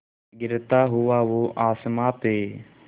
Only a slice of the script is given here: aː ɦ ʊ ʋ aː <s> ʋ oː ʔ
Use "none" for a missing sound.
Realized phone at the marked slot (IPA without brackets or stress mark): none